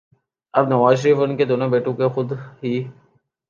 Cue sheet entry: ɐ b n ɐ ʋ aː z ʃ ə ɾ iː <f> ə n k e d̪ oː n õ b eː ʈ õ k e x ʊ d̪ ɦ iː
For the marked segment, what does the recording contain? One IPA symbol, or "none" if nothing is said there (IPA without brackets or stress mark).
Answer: f